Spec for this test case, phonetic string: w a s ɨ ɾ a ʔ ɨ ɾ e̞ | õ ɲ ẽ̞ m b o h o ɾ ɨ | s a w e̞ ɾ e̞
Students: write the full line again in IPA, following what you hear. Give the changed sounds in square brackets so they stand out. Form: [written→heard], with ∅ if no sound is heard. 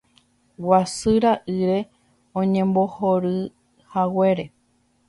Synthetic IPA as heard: w a s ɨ ɾ a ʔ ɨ ɾ e̞ | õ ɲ ẽ̞ m b o h o ɾ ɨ | [s→h] a w e̞ ɾ e̞